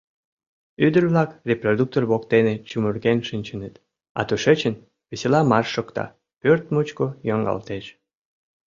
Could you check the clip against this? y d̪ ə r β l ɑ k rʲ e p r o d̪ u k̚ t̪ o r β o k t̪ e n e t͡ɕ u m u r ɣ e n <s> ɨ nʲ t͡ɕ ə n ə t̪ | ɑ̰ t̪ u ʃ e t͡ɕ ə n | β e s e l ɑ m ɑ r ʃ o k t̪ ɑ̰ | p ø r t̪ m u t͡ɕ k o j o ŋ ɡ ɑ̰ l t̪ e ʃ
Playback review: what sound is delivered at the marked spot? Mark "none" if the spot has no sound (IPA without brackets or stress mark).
ʃ